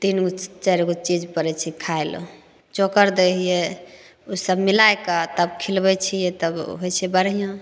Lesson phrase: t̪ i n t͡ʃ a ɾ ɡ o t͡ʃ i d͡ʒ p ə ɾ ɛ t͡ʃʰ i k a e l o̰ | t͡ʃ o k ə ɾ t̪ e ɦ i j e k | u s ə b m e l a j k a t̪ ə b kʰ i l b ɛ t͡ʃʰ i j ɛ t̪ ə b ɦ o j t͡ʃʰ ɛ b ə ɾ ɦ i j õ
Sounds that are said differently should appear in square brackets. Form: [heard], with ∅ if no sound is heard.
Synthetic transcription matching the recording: t̪ i n t͡ʃ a ɾ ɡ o t͡ʃ i d͡ʒ p ə ɾ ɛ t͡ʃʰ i [kʰ] a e l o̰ | t͡ʃ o k ə ɾ [d̪] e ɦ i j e [∅] | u s ə b m [i] l a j k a t̪ ə b kʰ i l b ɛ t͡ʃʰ i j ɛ t̪ ə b ɦ o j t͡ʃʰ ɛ b ə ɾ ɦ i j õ

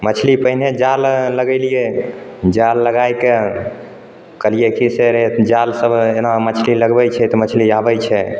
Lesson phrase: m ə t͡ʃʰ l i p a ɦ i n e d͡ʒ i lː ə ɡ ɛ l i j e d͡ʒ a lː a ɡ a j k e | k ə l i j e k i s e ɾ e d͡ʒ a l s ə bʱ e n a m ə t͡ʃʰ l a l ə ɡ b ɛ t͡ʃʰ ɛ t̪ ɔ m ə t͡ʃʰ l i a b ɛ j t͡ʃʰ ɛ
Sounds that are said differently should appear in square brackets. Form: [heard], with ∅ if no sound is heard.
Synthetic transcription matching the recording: m ə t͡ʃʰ l i p [ə] ɦ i n e d͡ʒ [a] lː ə ɡ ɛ l i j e d͡ʒ a lː [ə] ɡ a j k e | k ə l i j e k i s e ɾ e d͡ʒ a l s ə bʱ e n a m ə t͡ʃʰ l [i] l ə ɡ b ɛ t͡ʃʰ ɛ t̪ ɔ m ə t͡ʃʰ l i a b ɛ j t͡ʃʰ ɛ

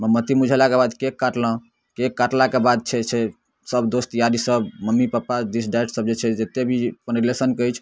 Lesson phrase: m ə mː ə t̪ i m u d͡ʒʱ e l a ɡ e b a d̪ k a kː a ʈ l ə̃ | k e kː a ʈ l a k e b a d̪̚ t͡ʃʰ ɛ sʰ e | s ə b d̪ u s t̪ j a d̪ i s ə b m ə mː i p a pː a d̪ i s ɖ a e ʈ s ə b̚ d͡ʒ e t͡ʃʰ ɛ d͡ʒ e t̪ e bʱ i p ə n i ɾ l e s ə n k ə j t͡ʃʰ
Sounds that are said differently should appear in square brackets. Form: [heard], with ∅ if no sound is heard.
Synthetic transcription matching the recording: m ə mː ə t̪ i m u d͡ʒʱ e l a [k] e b a d̪ k [e] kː a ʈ l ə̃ | k e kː a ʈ l a k e b a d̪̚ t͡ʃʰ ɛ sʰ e | s ə b d̪ [o] s t̪ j a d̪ i s ə b m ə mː i p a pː a d̪ i s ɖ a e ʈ s ə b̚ d͡ʒ e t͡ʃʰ ɛ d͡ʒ e t̪ e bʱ i p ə n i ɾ l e s ə n k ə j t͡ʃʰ

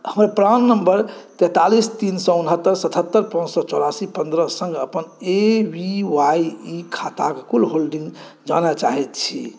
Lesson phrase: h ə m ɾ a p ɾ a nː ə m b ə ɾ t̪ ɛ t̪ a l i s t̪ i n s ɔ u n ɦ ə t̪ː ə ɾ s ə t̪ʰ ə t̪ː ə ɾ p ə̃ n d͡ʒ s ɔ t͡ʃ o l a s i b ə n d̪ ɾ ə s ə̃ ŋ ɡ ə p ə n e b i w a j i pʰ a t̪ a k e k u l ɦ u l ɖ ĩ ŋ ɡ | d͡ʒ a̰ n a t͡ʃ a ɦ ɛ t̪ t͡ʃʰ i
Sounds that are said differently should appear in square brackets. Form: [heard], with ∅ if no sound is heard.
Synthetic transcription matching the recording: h ə m ɾ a p ɾ a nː ə m b ə ɾ t̪ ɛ t̪ a l i s t̪ i n s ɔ u n ɦ ə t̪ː ə ɾ s ə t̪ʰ ə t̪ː ə ɾ p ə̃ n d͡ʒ s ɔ t͡ʃ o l a s i [p] ə n d̪ ɾ ə s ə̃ ŋ ɡ ə p ə n e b i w a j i [kʰ] a t̪ a k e k u l ɦ [o] l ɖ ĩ ŋ ɡ | d͡ʒ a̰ n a t͡ʃ a ɦ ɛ t̪ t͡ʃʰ i

